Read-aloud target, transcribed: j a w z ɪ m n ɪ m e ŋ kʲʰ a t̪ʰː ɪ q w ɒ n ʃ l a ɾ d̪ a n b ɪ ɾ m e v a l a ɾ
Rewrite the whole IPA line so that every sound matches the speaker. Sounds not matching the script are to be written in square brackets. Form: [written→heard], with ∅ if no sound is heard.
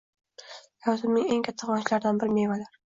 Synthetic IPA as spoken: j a w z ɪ m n ɪ [m→ŋ] e ŋ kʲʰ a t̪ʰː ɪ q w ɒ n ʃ l a ɾ d̪ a n b ɪ ɾ m e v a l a ɾ